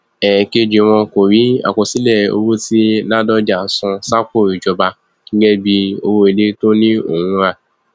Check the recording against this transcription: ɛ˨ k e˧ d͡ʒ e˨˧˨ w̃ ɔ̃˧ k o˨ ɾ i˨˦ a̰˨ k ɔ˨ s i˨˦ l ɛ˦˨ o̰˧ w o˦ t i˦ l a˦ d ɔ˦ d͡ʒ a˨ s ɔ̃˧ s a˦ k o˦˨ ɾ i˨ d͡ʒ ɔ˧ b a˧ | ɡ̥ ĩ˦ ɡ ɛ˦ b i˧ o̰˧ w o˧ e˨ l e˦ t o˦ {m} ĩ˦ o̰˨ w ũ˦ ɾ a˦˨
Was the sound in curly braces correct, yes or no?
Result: no